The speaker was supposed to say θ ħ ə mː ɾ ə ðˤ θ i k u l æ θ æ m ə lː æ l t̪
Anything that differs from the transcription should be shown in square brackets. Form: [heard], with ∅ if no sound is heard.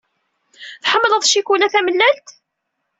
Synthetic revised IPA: θ ħ ə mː [l] ə ðˤ [ʃ] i k u l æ θ æ m ə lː æ l t̪